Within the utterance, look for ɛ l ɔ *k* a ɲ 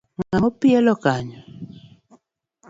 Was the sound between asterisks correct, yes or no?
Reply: yes